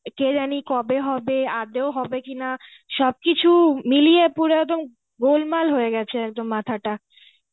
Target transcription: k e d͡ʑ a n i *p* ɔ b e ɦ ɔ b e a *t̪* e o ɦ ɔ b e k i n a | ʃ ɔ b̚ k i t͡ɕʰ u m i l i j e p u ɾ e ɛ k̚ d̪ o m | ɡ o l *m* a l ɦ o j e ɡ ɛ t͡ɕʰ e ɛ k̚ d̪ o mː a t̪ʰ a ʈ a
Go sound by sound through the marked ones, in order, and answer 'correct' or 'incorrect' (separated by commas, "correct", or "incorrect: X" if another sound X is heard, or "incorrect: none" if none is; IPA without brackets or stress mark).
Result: incorrect: k, incorrect: d̪, correct